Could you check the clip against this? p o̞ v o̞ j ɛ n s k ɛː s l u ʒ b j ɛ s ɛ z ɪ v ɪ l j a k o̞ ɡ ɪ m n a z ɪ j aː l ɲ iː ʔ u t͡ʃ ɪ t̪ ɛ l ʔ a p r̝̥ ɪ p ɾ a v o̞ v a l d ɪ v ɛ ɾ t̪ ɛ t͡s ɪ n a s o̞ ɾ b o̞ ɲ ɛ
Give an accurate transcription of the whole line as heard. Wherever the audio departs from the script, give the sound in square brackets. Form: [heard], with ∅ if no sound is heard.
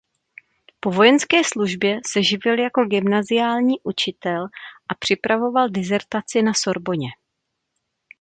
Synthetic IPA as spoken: p o̞ v o̞ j ɛ n s k ɛː s l u ʒ b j ɛ s ɛ [ʒ] ɪ v ɪ l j a k o̞ ɡ ɪ m n a z ɪ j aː l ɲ iː ʔ u t͡ʃ ɪ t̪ ɛ l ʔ a p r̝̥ ɪ p ɾ a v o̞ v a l d ɪ [z] ɛ ɾ t̪ [a] t͡s ɪ n a s o̞ ɾ b o̞ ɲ ɛ